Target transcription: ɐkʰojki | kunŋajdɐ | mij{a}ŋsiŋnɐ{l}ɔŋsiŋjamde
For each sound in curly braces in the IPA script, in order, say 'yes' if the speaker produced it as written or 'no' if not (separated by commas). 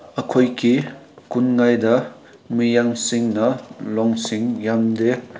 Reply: yes, yes